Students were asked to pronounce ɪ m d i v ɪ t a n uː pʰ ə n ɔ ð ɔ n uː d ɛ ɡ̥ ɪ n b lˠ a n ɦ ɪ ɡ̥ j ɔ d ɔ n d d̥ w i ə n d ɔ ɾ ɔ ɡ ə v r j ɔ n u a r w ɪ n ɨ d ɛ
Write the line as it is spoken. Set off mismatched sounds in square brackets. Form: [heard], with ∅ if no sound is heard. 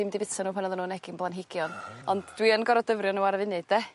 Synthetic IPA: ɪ m d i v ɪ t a n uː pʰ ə n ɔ ð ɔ n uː [n] ɛ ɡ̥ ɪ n b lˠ a n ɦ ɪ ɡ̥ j ɔ [n] ɔ n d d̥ w i ə n [ɡ] ɔ ɾ ɔ [d] ə v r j ɔ n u a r [v] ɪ n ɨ d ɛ